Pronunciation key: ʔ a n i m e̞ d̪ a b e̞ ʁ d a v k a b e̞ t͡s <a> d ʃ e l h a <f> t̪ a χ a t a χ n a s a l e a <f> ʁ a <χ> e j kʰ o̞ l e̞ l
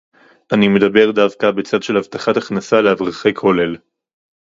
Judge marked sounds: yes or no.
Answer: yes, no, no, yes

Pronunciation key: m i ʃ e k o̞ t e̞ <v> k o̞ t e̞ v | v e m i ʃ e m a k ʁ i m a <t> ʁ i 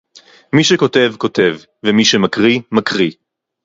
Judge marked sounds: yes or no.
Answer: yes, no

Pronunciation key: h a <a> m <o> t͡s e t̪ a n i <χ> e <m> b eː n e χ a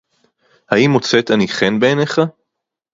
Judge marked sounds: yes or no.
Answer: no, yes, yes, no

